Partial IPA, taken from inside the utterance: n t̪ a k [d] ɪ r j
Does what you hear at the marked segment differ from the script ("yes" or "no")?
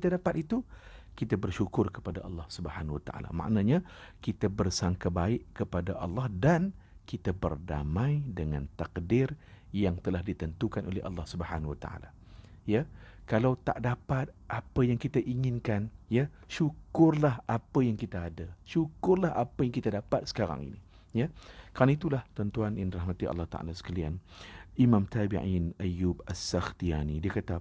no